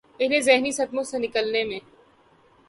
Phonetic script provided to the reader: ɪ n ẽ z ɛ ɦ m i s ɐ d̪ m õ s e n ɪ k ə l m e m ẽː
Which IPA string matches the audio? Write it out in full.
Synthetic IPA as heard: ɪ n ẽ z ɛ ɦ n i s ɐ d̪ m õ s e n ɪ k ə l n e m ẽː

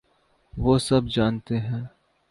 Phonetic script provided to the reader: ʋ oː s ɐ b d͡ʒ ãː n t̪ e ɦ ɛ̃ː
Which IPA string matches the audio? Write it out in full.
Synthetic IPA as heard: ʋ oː s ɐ b d͡ʒ aː n t̪ e ɦ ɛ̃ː

